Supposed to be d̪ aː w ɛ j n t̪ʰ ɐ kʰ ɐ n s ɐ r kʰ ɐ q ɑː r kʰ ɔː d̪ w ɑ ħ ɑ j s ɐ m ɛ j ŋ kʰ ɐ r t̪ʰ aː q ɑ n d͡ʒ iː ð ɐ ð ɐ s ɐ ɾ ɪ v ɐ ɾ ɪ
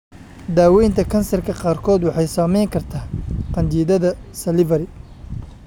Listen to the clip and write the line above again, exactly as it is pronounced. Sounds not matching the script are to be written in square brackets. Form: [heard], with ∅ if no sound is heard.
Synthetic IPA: d̪ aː w ɛ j n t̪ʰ ɐ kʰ ɐ n s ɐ r kʰ ɐ q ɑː r kʰ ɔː d̪ w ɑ ħ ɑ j s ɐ m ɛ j ŋ kʰ ɐ r t̪ʰ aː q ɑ n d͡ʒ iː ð ɐ ð ɐ s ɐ [l] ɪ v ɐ ɾ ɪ